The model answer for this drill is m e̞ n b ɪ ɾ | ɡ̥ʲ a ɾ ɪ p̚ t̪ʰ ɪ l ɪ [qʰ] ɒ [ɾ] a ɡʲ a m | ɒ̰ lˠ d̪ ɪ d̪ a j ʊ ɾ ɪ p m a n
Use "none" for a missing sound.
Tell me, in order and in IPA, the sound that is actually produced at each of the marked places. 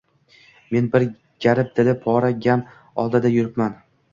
pʰ, ɾ

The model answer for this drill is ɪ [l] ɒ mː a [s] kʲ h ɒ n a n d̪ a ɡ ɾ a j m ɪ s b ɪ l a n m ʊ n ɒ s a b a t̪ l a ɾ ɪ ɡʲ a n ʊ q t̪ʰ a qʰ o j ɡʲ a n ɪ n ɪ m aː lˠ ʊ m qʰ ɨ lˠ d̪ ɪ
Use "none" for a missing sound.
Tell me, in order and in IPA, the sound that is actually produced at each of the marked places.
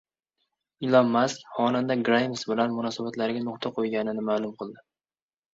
l, s

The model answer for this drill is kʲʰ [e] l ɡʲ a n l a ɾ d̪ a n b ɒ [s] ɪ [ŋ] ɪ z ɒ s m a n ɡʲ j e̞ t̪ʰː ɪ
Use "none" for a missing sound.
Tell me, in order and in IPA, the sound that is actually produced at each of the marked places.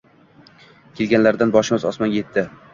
e, ʃ, m

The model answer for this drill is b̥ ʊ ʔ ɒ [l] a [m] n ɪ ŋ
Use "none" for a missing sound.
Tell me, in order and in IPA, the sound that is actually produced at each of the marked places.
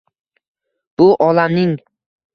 l, m

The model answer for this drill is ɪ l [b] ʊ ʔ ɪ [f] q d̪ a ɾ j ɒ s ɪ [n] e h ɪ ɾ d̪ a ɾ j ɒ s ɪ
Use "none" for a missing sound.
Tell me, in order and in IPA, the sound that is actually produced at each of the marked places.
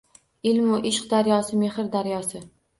m, ʃ, m

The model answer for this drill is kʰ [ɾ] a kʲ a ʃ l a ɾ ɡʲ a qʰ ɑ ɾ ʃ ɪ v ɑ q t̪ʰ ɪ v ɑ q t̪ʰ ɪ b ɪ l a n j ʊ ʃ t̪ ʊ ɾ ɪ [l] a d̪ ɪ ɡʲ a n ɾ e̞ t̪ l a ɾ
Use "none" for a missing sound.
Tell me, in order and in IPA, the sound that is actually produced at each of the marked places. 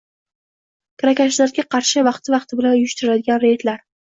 ɾ, l

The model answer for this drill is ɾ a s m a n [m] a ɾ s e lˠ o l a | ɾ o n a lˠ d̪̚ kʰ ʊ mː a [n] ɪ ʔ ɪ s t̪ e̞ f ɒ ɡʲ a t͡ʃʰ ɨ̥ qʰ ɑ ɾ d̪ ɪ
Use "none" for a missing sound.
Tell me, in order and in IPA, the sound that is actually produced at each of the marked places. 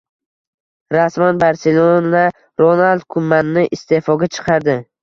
b, nː

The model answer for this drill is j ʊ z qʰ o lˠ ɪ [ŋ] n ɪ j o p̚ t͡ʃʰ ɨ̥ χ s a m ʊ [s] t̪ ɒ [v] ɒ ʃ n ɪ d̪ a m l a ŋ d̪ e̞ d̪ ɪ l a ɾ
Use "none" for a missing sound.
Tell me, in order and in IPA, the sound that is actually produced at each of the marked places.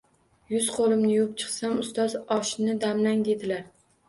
m, s, z

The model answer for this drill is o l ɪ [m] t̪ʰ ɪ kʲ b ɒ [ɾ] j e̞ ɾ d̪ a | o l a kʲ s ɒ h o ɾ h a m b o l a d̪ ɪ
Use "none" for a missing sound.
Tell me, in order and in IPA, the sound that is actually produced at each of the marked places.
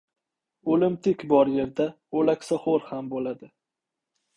m, ɾ

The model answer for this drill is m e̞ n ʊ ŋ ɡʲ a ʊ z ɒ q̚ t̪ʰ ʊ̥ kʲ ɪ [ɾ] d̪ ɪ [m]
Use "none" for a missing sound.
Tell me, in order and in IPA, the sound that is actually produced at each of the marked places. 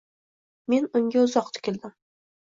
l, m

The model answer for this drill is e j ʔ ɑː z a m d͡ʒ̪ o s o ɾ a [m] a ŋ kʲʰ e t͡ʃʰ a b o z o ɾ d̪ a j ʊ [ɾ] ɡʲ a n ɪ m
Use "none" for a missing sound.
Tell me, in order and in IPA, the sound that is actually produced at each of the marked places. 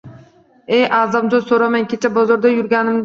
m, ɾ

